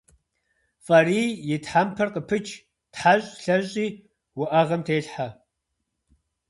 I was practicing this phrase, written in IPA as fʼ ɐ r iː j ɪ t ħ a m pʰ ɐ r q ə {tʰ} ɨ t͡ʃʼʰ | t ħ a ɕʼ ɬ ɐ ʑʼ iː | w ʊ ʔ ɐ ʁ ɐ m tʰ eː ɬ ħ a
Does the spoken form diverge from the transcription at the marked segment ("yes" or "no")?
yes